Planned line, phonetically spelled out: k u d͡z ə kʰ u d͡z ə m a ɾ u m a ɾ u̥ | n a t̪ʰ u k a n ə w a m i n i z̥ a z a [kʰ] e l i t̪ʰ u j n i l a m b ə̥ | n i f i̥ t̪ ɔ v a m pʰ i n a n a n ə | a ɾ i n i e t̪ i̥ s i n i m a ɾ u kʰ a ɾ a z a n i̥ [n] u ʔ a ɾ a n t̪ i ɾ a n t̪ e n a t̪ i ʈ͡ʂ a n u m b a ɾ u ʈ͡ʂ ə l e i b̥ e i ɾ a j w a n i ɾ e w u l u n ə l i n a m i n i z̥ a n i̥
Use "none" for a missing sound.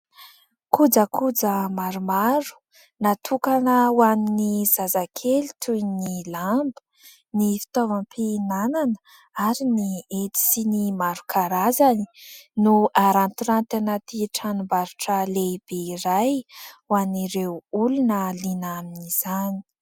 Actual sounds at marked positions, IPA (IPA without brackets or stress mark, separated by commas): kʰ, n